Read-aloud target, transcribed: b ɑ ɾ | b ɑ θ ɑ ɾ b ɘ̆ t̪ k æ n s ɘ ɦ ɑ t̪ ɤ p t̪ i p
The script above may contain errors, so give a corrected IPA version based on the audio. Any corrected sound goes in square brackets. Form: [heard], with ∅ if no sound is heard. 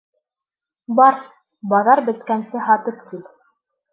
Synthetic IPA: b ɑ ɾ | b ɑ [ð] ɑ ɾ b ɘ̆ t̪ k æ n s ɘ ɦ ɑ t̪ ɤ p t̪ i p

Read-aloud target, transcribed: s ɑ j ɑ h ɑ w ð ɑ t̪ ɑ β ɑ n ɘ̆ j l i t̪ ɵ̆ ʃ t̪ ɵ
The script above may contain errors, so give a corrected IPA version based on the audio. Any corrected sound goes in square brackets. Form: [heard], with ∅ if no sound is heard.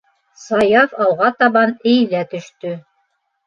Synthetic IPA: s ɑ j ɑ [f] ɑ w [ʁ] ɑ t̪ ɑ β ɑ n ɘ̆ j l [æ] t̪ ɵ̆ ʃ t̪ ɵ

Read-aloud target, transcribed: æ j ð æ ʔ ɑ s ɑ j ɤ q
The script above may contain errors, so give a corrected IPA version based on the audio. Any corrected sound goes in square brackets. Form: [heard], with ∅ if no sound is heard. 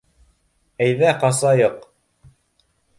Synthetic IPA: æ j ð æ [q] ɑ s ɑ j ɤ q

